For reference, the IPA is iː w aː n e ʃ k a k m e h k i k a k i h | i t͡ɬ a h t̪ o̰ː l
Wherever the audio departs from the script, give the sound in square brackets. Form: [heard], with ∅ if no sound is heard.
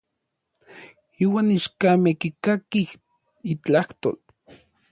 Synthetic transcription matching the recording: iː w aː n [i] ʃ k a [∅] m e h k i k a k i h | i t͡ɬ a h t̪ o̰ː l